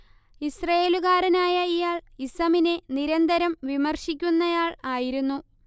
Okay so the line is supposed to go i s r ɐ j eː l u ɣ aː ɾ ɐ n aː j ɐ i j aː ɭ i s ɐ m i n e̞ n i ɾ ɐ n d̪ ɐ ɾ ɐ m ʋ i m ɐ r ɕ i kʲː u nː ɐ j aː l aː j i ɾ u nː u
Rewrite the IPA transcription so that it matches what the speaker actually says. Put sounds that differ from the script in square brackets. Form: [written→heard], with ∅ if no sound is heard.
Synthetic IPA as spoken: i s r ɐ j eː l u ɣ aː ɾ ɐ n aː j ɐ i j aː ɭ i s ɐ m i n e̞ n i ɾ ɐ n d̪ ɐ ɾ ɐ m ʋ i m ɐ r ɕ i kʲː u nː ɐ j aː [l→ɭ] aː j i ɾ u nː u